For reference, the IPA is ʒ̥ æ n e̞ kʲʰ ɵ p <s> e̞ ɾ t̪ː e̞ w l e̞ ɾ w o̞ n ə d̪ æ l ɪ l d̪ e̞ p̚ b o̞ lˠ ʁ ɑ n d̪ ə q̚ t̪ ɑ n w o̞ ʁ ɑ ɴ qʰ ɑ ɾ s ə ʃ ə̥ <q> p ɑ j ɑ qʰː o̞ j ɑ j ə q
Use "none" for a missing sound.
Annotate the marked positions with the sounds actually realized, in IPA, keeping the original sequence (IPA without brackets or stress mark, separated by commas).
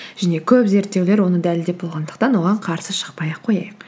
z, q